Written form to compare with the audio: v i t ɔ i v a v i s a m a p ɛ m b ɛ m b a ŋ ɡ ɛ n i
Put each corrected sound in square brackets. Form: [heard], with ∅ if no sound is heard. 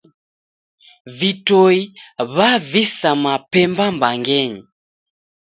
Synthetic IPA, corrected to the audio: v i t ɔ i [β] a v i s a m a p ɛ m b [a] m b a ŋ ɡ ɛ [ɲ] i